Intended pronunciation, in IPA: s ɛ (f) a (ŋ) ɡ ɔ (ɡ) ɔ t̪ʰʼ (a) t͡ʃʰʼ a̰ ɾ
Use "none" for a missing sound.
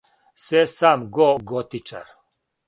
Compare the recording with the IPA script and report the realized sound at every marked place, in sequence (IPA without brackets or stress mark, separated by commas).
s, m, ɡ, i